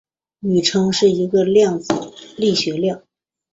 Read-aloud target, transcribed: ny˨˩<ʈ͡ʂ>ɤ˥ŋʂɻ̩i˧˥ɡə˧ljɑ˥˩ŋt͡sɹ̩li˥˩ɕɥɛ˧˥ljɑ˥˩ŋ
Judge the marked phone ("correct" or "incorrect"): incorrect